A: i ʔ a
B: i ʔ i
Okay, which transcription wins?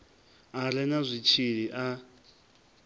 A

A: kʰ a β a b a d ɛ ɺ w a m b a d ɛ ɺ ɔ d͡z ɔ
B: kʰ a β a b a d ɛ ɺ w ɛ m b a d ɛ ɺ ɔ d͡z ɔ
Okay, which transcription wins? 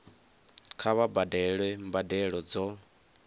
B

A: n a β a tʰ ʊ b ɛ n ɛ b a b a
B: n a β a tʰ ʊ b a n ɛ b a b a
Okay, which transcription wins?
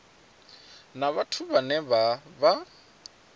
B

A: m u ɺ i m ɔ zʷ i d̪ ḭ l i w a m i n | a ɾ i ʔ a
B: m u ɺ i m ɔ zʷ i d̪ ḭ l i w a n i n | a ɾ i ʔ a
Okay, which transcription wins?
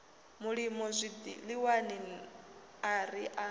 B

